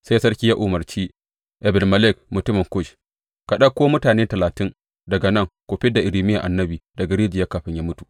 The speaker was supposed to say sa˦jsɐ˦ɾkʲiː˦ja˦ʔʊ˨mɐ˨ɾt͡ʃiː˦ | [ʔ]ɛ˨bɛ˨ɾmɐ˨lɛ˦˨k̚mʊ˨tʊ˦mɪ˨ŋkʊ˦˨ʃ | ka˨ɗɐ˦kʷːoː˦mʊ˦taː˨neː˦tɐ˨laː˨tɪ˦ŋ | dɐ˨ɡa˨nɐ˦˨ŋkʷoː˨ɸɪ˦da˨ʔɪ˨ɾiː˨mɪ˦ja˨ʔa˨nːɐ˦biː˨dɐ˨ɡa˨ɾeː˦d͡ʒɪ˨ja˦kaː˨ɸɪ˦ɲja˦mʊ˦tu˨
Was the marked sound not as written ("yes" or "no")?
no